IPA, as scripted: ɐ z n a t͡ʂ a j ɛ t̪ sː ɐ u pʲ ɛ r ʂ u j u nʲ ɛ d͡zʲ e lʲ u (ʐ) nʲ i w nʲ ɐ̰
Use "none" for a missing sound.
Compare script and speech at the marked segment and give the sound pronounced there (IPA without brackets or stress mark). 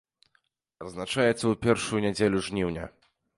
ʐ